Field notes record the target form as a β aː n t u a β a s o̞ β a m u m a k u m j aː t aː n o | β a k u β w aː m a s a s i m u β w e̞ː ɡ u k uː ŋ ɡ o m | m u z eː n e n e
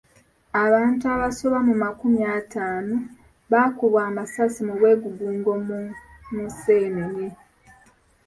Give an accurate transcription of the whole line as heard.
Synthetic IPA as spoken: a β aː n t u a β a s o̞ β a m u m a k u m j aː t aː n o | β a k u β w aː m a s a s i m u β w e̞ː ɡ u ɡ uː ŋ ɡ o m | m u s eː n e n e